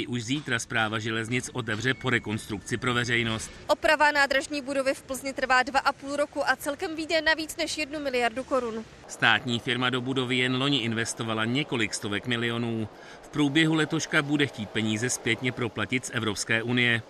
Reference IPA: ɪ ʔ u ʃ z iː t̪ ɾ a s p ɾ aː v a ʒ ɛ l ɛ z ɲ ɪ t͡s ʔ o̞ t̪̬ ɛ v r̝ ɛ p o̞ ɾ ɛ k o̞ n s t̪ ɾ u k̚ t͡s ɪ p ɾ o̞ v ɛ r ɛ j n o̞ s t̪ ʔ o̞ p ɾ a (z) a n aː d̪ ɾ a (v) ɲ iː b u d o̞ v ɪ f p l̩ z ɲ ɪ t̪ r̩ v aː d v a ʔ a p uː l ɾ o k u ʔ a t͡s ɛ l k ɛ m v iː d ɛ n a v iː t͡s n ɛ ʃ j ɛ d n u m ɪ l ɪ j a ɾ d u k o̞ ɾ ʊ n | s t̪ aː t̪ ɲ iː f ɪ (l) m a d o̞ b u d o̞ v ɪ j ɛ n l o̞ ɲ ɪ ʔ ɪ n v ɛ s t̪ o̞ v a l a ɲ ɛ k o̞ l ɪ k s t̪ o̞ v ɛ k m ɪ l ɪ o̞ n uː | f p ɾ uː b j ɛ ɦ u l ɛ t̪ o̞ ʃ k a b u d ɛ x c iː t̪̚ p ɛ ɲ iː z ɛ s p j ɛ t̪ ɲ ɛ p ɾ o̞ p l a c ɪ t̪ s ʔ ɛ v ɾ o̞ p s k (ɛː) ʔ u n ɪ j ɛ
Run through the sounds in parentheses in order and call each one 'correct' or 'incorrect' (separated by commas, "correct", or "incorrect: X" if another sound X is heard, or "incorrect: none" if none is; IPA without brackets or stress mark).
incorrect: v, incorrect: ʒ, incorrect: ɾ, correct